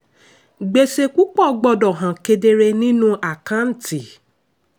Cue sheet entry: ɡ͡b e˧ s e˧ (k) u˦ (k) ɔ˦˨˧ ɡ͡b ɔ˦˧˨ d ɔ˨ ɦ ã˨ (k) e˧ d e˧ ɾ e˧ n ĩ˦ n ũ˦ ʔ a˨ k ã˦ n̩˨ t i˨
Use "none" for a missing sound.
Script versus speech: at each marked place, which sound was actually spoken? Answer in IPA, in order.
k, k͡p, k

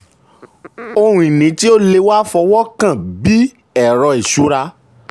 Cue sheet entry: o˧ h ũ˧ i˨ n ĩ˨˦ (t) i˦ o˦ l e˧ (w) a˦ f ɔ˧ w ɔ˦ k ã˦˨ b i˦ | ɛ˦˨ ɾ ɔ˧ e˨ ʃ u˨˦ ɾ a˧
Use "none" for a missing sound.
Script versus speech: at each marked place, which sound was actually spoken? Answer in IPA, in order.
t, w

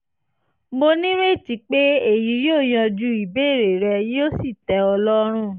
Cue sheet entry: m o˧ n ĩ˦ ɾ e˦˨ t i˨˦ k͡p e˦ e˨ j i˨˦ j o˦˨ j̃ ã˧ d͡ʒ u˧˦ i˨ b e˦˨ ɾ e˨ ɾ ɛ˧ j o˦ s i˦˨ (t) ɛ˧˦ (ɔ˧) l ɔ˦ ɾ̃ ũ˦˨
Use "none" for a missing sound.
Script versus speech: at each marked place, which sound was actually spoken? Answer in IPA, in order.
t, ɔ˧

